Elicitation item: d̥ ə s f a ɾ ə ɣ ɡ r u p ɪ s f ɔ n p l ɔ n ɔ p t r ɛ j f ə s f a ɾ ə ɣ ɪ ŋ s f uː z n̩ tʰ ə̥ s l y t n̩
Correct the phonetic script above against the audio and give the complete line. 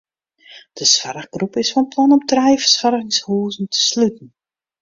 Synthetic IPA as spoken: d̥ ə s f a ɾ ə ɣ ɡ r u p ɪ s f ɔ n p l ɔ n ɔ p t r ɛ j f ə s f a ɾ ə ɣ ɪ ŋ s h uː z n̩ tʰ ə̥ s l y t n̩